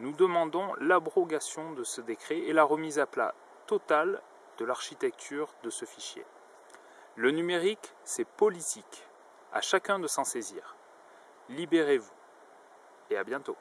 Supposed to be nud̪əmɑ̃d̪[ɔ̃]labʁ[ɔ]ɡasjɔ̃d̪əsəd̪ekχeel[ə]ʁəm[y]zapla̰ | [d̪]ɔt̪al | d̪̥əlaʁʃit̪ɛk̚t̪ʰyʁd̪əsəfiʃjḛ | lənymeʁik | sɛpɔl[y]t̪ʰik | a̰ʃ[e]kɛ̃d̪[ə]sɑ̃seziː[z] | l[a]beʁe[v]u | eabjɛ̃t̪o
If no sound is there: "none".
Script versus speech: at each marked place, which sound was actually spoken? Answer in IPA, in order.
ɔ̃, ɔ, a, i, t̪, i, a, ə, ʁ, i, v

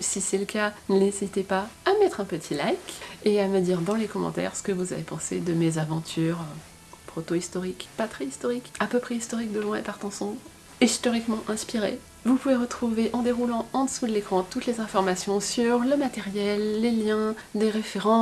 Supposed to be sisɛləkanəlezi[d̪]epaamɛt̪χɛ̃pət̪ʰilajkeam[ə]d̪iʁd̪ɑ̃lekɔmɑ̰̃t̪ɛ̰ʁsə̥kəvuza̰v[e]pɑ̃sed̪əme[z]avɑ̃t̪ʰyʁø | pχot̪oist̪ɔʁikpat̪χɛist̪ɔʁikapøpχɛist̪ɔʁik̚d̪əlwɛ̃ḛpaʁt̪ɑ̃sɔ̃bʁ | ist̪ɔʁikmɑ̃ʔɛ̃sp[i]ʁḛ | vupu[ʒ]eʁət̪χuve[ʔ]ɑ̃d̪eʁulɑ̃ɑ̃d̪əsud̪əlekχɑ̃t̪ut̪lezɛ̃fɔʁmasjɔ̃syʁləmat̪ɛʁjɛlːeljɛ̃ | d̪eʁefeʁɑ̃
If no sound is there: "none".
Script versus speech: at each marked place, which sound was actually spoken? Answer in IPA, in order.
t̪, ə, e, z, i, v, ʔ

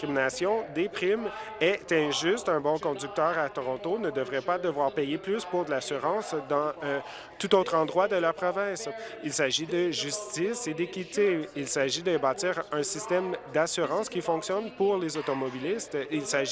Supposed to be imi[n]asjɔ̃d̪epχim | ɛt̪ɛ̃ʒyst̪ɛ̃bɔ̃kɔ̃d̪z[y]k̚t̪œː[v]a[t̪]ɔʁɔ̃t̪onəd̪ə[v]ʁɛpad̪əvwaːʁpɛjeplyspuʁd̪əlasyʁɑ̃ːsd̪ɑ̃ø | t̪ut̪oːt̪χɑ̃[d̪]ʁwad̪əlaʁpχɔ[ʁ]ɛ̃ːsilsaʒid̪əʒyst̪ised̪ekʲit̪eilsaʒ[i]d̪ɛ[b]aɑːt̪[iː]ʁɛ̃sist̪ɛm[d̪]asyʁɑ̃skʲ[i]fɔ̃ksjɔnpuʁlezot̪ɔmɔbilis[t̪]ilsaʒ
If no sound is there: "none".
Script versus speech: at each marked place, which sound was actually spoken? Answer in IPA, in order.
n, y, ʁ, t̪, v, d̪, v, i, b, iː, d̪, i, t̪

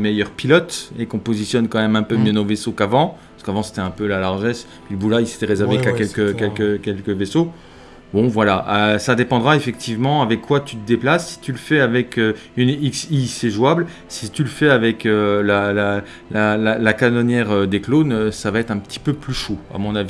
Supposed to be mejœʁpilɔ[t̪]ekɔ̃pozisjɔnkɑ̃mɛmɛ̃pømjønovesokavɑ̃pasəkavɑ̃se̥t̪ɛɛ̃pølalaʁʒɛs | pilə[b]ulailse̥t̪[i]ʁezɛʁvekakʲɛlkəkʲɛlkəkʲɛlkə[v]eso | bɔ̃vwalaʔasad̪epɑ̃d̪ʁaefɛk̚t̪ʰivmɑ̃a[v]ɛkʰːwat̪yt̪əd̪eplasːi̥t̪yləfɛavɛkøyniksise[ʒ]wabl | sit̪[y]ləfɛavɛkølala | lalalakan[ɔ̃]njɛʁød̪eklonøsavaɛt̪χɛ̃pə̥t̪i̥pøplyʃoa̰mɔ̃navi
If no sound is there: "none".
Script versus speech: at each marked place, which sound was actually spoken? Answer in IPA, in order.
t̪, b, ɛ, v, v, ʒ, y, ɔ

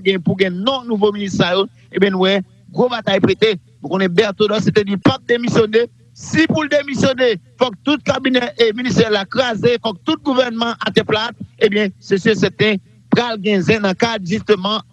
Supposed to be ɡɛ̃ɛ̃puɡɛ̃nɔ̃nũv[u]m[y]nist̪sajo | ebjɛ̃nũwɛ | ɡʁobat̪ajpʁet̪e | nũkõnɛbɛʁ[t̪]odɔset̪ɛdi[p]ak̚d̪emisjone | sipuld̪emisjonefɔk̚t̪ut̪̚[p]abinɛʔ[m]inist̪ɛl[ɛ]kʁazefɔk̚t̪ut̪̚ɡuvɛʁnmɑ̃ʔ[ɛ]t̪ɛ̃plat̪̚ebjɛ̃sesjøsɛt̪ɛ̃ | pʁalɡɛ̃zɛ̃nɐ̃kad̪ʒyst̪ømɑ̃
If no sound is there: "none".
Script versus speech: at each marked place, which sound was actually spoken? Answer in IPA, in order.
o, i, t̪, p, k, m, a, a

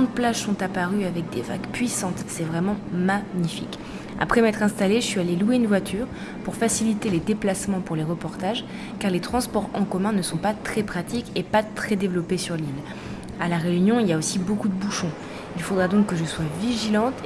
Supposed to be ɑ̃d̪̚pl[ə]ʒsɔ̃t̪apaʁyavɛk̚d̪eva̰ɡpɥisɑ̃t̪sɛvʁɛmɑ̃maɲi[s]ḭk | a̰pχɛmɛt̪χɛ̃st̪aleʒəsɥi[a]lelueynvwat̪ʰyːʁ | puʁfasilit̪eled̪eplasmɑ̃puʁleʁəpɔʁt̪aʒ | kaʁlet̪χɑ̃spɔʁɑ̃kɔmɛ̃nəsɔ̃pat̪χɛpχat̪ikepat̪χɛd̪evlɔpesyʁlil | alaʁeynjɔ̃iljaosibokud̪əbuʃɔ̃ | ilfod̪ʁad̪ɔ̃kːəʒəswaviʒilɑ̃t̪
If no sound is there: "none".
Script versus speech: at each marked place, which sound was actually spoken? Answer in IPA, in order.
a, f, a

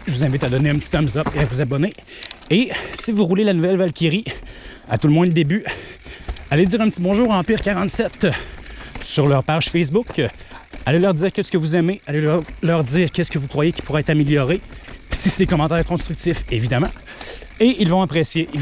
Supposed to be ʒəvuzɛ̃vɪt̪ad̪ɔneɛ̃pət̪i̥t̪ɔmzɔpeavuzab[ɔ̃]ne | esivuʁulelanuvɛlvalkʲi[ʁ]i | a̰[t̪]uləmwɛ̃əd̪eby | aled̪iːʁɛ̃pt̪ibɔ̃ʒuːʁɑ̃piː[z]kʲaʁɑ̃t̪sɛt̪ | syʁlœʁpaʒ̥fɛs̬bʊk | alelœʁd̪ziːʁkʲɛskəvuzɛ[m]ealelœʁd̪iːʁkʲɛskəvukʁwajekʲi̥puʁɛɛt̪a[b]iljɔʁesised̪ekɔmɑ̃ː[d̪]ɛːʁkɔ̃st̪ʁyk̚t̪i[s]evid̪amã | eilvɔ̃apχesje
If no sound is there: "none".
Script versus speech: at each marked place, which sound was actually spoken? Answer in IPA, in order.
ɔ, ʁ, t̪, ʁ, m, m, t̪, f

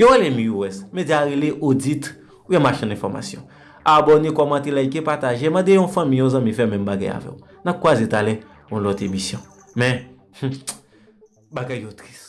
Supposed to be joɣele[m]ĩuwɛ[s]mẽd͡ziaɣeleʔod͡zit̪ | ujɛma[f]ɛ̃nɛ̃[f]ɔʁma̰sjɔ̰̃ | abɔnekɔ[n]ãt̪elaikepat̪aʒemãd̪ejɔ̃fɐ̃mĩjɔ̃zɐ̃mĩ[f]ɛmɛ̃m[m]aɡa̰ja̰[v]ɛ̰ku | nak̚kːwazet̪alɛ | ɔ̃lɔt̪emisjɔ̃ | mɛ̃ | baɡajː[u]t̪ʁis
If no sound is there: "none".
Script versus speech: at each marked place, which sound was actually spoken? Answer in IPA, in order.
m, s, ʃ, f, m, f, b, v, o

